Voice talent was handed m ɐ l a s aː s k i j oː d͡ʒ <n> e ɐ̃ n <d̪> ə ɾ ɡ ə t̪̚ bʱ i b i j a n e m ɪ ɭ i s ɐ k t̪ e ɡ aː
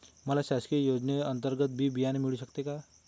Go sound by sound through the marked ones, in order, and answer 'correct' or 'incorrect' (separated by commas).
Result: correct, incorrect